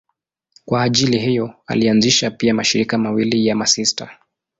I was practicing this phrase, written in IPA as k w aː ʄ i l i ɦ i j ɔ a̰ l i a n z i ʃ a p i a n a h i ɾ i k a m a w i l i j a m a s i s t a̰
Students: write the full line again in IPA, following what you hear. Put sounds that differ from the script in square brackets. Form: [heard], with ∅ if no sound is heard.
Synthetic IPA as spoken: k w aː ʄ i l i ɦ i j ɔ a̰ l i a n z i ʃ a p i a [m] a [ʃ] i ɾ i k a m a w i l i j a m a s i s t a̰